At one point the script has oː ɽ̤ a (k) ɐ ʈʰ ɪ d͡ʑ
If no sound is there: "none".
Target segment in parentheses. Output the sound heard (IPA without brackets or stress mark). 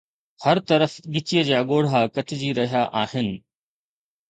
k